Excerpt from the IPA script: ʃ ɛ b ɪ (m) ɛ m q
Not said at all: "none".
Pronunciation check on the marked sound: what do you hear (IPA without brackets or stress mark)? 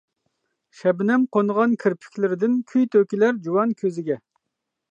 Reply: n